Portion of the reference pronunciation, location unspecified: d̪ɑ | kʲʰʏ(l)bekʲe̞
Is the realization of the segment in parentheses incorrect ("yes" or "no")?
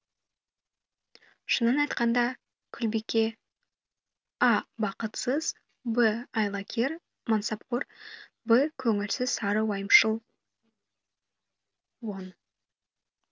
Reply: no